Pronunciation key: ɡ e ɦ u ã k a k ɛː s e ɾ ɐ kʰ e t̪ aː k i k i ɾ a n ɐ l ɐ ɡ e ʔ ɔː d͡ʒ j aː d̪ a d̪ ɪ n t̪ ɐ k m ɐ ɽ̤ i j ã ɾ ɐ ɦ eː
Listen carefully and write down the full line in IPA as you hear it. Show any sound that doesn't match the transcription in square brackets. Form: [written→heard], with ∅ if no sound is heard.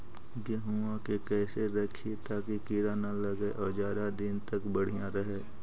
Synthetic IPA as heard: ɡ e ɦ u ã k [a→e] k ɛː s e ɾ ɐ kʰ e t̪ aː k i k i ɾ a n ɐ l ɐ ɡ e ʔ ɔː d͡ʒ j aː d̪ a d̪ ɪ n t̪ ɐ k [m→b] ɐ ɽ̤ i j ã ɾ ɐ ɦ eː